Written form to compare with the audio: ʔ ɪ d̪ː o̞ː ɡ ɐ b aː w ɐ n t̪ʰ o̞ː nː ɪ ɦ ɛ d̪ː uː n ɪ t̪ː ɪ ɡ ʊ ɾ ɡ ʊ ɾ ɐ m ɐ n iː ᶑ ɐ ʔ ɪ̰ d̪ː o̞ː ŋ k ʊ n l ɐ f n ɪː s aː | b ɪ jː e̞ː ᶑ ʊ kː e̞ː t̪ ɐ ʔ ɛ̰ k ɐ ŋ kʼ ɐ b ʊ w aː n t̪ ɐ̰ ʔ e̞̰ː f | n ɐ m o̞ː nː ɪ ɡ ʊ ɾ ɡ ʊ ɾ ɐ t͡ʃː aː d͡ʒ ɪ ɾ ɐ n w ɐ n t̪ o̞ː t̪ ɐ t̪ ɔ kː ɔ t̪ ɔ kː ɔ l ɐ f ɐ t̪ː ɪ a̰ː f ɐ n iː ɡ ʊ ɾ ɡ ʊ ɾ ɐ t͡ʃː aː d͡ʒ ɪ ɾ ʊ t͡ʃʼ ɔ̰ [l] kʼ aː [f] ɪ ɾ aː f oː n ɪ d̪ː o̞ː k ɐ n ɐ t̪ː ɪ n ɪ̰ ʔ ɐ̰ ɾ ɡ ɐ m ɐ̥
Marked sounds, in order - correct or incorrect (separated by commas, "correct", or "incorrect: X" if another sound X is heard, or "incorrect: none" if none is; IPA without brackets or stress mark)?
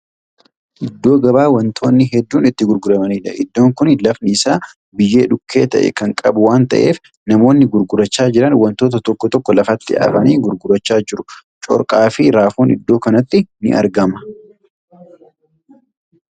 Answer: incorrect: ɾ, correct